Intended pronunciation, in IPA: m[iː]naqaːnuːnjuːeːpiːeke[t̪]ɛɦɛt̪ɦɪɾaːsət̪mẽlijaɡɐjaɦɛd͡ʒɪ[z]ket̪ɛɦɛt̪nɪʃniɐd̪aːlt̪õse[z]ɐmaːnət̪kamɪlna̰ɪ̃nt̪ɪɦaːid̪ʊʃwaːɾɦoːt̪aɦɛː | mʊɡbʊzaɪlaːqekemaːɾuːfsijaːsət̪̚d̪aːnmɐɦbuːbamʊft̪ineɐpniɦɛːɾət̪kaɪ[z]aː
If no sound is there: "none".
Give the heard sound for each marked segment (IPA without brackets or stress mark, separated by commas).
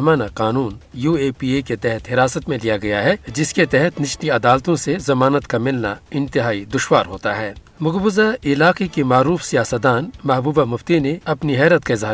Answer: aː, t̪, s, z, z